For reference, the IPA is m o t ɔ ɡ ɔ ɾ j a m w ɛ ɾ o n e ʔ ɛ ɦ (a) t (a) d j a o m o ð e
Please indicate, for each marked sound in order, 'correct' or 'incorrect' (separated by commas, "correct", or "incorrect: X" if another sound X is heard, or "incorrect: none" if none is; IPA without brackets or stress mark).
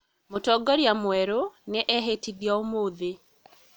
incorrect: e, incorrect: i